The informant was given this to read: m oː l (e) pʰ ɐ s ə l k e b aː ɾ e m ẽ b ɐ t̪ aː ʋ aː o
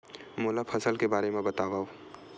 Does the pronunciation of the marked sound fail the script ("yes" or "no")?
yes